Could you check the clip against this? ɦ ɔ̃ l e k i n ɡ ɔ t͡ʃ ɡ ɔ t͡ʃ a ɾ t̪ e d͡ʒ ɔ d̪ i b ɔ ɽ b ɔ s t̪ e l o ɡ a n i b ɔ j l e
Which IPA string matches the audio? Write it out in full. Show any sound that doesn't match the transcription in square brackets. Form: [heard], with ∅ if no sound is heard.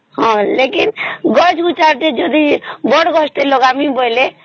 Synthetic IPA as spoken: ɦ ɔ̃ l e k i n ɡ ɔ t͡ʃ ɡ [u] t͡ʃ a ɾ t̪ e d͡ʒ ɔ d̪ i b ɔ ɽ [ɡ] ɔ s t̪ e l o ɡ a [m] i b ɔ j l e

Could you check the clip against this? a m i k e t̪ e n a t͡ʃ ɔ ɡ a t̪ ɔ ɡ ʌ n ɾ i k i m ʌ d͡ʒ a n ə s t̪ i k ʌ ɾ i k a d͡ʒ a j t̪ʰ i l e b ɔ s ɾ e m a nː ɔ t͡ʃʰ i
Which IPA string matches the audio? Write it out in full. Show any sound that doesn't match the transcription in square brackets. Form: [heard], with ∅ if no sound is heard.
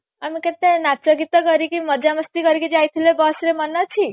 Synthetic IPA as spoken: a m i k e t̪ e n a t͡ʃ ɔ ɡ [i] t̪ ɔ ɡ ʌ [∅] ɾ i k i m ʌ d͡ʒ a [m] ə s t̪ i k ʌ ɾ i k [i] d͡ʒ a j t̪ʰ i l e b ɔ s ɾ e m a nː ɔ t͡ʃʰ i

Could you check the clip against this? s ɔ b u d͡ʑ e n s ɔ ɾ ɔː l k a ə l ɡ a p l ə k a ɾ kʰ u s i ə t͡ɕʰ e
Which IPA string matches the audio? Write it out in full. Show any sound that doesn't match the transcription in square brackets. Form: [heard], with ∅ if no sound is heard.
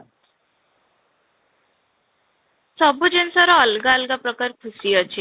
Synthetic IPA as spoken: s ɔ b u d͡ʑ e n s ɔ ɾ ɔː l [ɡ] a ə l ɡ a p [ɾ] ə k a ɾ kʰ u s i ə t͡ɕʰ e

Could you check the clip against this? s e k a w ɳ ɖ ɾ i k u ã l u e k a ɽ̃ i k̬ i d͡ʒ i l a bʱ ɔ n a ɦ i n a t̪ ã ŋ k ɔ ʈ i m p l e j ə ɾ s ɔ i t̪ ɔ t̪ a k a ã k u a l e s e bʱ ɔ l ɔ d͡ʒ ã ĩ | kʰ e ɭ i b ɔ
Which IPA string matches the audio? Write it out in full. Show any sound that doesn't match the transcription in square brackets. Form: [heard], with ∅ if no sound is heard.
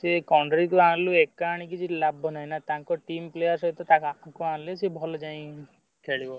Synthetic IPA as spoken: s e k a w ɳ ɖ ɾ i k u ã l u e k a ɽ̃ i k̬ i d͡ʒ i l a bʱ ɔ n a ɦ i n a t̪ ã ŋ k ɔ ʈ i m p l e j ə ɾ s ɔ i t̪ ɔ t̪ a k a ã k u a l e s e bʱ ɔ l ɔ d͡ʒ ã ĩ | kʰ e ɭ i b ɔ

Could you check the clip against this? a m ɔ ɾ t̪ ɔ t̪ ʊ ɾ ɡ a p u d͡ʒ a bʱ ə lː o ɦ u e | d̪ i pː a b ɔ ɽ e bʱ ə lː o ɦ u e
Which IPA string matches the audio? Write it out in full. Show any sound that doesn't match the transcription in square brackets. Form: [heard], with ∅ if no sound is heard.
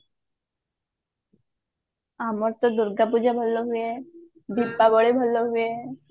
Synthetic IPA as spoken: a m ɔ ɾ t̪ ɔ [d̪] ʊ ɾ ɡ a p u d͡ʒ a bʱ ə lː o ɦ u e | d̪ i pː a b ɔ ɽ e bʱ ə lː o ɦ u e

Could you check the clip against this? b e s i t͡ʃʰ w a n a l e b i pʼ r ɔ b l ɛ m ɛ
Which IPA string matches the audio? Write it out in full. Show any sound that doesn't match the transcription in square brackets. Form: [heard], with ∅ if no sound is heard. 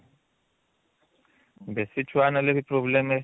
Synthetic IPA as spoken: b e s i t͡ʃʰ w a n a l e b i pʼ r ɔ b l ɛ m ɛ

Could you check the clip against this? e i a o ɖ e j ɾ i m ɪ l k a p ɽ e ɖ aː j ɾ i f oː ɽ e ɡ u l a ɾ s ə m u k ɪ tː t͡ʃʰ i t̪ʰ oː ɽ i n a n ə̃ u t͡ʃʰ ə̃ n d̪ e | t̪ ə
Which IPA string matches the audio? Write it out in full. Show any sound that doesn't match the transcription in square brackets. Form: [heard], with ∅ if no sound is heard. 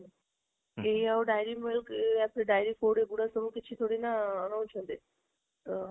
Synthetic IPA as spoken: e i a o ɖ [a] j ɾ i m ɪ l k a p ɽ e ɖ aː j ɾ i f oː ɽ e ɡ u [ɽ] a [∅] s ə m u k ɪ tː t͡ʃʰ i t̪ʰ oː ɽ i n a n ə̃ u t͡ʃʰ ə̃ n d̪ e | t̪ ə

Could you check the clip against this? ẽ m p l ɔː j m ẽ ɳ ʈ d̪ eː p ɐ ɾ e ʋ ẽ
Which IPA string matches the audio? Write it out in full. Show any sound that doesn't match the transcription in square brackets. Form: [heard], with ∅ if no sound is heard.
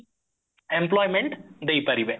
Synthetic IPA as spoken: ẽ m p l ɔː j m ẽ ɳ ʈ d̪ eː p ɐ ɾ [i] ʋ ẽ

